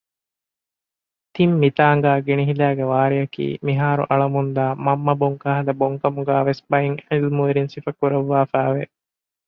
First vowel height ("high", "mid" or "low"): high